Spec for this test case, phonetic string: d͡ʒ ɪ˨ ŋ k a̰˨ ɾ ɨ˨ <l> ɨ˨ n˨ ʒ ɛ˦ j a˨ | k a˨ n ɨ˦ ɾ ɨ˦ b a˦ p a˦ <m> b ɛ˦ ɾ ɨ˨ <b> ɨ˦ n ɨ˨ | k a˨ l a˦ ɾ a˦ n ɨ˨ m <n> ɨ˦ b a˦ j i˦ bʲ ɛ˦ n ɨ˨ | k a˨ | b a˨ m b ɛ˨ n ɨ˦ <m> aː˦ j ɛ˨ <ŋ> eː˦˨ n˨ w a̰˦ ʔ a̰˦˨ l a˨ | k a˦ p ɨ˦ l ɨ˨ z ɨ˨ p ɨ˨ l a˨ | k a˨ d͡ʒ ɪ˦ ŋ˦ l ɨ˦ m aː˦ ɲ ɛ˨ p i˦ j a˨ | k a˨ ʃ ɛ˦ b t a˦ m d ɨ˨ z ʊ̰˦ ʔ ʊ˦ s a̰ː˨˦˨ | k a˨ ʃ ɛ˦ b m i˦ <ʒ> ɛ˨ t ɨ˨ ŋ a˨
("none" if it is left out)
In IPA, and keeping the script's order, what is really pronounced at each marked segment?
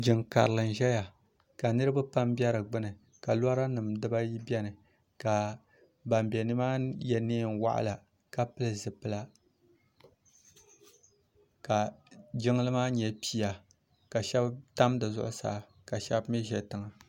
l, m, ɡ͡b, d, m, n, ʒ

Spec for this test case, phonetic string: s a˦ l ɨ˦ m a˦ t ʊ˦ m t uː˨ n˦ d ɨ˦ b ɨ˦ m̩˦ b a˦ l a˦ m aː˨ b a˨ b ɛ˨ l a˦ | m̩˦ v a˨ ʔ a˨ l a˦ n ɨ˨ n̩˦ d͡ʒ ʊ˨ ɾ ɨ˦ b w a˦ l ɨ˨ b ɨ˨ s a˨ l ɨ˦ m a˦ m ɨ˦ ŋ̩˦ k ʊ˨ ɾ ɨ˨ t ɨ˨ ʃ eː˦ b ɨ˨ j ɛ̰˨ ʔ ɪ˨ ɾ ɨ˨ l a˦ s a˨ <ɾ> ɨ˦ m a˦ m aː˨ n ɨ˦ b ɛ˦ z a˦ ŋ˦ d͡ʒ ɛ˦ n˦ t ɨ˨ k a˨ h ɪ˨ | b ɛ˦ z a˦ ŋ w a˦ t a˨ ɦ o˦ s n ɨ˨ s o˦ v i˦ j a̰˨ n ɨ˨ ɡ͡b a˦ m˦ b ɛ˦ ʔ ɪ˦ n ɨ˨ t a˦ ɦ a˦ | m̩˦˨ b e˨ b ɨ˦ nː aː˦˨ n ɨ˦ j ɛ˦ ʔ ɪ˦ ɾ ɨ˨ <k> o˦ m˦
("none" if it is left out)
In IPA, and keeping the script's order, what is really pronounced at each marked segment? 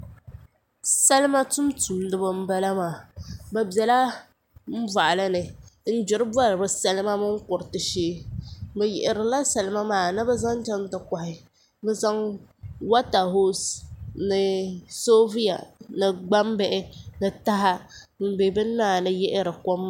l, k

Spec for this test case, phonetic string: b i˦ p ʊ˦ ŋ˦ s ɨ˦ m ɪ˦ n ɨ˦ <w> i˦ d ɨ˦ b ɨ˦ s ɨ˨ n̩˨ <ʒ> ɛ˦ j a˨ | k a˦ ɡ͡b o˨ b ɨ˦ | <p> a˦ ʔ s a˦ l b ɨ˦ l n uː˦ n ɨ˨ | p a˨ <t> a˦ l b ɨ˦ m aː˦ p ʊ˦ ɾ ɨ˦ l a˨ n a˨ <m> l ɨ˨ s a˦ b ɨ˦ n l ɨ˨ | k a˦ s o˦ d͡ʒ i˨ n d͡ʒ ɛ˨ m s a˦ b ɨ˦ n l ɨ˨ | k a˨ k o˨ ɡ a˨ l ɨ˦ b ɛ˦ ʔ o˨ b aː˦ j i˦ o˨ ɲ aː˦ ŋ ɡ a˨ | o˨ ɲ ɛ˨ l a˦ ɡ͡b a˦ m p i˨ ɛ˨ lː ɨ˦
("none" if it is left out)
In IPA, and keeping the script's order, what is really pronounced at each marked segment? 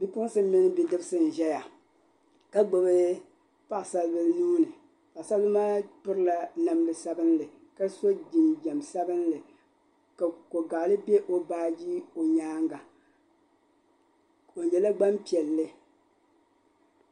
b, ʒ, p, s, m

